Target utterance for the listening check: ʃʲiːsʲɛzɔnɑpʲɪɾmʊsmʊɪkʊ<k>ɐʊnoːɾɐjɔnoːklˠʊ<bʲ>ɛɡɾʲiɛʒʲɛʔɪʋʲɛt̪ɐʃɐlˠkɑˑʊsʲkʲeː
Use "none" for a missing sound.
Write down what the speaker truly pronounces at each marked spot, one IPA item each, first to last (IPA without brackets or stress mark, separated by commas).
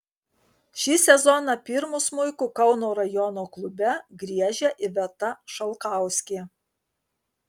k, bʲ